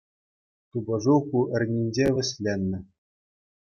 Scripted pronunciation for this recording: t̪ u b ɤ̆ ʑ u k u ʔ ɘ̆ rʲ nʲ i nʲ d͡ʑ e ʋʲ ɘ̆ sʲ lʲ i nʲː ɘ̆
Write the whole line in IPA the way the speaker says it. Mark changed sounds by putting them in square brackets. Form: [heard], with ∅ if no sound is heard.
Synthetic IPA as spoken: t̪ u b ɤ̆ [ʐ] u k u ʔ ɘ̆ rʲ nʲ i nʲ d͡ʑ e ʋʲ ɘ̆ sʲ lʲ [e] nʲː ɘ̆